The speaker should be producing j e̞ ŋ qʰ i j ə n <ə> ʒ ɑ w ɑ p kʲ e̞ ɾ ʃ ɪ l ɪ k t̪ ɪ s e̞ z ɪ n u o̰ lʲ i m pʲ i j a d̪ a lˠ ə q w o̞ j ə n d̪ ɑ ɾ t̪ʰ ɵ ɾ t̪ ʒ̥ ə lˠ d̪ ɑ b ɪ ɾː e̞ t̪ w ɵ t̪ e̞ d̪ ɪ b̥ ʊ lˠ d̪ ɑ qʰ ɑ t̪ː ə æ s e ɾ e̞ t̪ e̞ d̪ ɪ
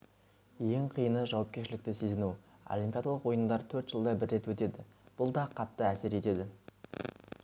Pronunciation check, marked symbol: correct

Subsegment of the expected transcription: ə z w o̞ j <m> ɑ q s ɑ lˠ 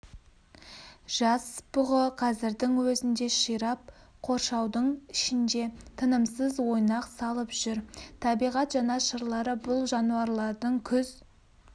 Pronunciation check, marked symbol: incorrect: n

